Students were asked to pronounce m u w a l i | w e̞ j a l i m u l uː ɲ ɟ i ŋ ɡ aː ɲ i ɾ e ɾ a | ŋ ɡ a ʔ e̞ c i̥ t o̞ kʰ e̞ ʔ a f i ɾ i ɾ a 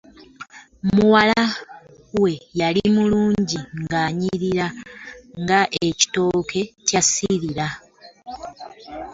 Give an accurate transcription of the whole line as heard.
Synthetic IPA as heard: m u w a l a | w e̞ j a l i m u l uː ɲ ɟ i ŋ ɡ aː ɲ i ɾ i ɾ a | ŋ ɡ a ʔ e̞ c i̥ t o̞ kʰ e̞ c a s i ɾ i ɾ a